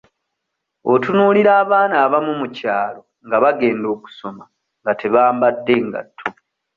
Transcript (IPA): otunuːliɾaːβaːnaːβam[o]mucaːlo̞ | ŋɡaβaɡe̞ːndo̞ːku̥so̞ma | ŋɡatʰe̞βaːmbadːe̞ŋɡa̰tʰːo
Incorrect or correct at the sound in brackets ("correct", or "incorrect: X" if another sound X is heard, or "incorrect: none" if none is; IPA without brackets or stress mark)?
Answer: incorrect: u